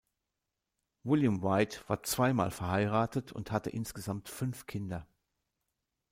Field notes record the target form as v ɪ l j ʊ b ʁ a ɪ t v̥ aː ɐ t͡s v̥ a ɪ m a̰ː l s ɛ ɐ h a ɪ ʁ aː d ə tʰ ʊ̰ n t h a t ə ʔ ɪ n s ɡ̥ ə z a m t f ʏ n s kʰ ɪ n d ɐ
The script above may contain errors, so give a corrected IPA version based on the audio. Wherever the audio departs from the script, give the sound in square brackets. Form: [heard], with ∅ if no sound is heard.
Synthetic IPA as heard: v ɪ l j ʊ [m] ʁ a ɪ t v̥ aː ɐ t͡s v̥ a ɪ m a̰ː l [f] ɛ ɐ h a ɪ ʁ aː [t] ə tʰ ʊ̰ n t h a t ə ʔ ɪ n s ɡ̥ ə z a m t f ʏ n [f] kʰ ɪ n d ɐ